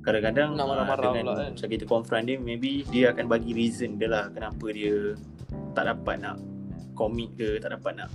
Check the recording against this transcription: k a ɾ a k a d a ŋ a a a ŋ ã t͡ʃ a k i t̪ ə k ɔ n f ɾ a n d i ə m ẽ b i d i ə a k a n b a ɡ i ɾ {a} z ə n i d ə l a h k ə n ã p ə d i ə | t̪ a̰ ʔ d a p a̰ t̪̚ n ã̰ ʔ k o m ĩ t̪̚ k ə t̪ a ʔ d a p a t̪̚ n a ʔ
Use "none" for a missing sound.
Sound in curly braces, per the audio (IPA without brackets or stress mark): i